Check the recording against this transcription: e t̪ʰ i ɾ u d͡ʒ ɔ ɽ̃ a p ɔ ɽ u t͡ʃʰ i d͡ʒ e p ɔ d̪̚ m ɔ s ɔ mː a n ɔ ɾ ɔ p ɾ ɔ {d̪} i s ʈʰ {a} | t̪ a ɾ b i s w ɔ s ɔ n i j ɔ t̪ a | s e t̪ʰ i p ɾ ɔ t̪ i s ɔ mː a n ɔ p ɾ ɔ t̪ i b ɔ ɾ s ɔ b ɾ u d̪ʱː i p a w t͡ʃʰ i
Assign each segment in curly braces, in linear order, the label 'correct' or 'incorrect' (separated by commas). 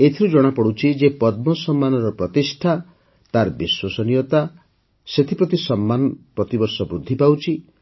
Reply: incorrect, correct